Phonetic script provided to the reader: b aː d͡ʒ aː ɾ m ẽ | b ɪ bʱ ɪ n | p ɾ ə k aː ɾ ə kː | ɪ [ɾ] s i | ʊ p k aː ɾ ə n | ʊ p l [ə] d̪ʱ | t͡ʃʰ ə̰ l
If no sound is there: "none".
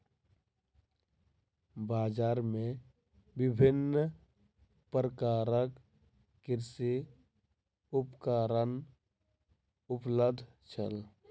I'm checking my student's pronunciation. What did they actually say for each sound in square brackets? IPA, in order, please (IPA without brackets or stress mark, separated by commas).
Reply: ɾ, ə